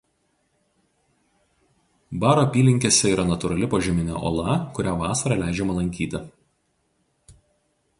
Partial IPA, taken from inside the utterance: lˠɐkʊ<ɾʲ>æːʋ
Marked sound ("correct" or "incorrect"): correct